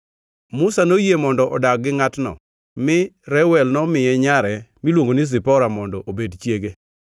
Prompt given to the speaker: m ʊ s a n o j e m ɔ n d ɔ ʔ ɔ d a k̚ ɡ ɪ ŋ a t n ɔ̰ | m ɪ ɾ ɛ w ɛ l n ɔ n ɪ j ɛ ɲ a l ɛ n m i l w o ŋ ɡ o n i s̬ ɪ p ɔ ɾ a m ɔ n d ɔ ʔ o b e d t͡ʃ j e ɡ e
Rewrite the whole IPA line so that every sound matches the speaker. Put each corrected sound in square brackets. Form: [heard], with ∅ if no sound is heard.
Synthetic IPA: m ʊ s a n o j e m ɔ n d ɔ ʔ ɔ d a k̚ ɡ ɪ ŋ a t n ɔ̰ | m ɪ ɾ ɛ w ɛ l n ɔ [m] ɪ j ɛ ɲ a [ɾ] ɛ [∅] m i l w o ŋ ɡ o n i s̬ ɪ p ɔ ɾ a m ɔ n d ɔ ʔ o b e d t͡ʃ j e ɡ e